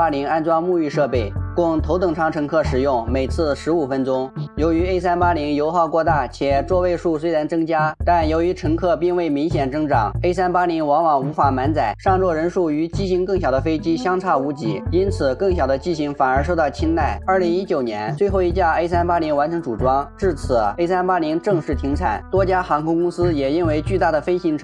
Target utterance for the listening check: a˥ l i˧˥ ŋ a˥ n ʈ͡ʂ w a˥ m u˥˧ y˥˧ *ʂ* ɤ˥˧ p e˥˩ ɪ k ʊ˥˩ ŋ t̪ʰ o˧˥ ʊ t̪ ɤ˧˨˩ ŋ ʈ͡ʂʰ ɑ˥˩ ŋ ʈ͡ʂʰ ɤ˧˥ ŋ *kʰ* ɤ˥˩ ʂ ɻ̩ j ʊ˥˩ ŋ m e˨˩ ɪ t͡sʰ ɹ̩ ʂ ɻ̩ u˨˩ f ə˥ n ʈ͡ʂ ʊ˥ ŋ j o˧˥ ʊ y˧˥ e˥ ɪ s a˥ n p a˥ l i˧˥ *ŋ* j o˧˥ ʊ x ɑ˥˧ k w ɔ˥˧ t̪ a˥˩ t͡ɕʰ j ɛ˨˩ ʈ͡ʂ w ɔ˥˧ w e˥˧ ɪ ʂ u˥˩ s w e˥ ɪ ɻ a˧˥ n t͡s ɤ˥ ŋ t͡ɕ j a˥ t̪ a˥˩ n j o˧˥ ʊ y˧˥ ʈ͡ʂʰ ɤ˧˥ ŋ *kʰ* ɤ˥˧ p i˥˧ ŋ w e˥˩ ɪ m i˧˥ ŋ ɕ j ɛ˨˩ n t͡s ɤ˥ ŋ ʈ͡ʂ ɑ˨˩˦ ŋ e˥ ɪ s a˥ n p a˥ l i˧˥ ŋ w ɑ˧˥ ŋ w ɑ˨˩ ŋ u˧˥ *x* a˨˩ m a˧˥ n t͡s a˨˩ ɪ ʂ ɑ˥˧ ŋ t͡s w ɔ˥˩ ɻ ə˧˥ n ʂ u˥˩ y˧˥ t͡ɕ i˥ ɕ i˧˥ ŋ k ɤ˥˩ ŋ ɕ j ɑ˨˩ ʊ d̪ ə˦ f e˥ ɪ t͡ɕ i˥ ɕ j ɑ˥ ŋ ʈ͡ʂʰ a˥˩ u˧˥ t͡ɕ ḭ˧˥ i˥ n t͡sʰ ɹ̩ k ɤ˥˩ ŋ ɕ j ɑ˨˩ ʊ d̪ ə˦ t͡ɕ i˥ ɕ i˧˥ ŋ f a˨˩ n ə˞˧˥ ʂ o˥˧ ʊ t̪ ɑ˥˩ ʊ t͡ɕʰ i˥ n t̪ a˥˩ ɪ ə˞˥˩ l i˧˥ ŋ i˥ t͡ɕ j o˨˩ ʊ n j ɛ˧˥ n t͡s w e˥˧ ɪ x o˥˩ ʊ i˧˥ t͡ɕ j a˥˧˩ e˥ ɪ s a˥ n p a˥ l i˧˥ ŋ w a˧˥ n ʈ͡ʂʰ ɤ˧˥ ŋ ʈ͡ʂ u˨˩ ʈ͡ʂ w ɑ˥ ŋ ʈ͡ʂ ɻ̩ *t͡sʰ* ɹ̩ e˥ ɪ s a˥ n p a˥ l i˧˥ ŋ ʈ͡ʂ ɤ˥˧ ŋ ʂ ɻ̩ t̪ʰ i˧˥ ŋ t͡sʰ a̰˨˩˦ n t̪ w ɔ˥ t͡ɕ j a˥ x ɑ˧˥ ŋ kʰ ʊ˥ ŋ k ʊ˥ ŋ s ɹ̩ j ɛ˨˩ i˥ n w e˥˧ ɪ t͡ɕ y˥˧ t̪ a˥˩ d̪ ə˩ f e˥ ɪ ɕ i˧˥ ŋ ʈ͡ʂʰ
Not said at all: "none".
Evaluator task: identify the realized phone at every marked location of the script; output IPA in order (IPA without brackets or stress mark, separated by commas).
ʂ, kʰ, ŋ, kʰ, f, t͡sʰ